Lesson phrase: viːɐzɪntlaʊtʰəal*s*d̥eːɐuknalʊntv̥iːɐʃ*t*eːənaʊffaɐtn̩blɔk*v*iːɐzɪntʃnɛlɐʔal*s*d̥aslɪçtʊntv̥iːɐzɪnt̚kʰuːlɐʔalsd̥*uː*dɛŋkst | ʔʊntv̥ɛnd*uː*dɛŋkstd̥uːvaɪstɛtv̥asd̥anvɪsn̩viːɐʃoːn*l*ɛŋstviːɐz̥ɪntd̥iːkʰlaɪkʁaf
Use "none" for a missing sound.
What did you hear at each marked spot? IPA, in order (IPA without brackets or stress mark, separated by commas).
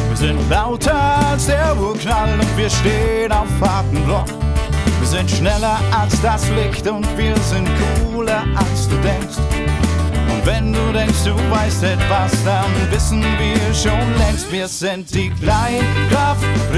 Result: s, t, v, s, uː, uː, l